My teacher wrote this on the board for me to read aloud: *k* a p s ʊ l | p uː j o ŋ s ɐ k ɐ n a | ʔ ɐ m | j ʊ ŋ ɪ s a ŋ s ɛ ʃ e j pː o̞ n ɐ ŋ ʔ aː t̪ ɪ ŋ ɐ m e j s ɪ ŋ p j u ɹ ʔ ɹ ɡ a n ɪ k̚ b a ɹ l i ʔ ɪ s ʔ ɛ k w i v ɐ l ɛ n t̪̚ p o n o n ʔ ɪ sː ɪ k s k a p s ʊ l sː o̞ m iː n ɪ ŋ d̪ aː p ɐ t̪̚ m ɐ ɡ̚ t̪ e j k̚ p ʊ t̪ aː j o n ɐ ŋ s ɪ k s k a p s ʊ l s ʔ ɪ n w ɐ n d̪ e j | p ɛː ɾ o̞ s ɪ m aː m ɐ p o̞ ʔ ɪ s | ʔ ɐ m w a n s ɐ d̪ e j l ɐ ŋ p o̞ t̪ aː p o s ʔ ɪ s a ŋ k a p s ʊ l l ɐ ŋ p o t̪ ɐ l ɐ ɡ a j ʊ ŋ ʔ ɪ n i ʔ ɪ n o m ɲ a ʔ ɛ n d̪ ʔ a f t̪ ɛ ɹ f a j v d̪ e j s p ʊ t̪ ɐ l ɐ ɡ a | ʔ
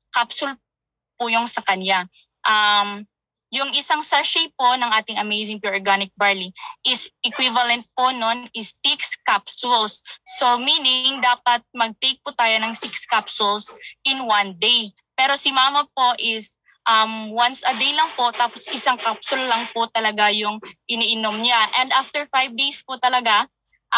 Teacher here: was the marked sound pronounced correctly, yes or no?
yes